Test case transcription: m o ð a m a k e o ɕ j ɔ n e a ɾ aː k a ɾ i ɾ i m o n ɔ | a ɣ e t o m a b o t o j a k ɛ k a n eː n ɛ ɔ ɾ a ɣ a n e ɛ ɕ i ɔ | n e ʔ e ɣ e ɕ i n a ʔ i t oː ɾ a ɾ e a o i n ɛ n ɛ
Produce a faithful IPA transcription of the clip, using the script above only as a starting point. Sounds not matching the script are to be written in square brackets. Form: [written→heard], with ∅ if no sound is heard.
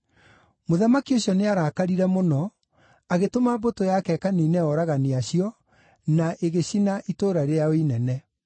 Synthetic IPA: m o ð a m a k [e→i] o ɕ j ɔ n e a ɾ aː k a ɾ i ɾ [i→ɛ] m o n ɔ | a ɣ e t o m a b o t o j a k ɛ k a n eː n ɛ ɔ ɾ a ɣ a n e [ɛ→a] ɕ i ɔ | n [e→a] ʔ e ɣ e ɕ i n a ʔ i t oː ɾ a ɾ e a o i n ɛ n ɛ